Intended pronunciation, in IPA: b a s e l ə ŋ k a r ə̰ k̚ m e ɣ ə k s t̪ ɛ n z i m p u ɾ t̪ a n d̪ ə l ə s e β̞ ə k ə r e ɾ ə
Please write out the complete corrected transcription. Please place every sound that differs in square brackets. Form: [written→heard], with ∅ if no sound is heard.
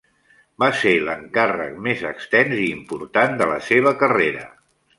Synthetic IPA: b a s e l ə ŋ k a r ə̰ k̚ m e [ɣ→z] ə k s t̪ ɛ n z [i→iː] m p u ɾ t̪ a n d̪ ə l ə s e β̞ ə k ə r e ɾ ə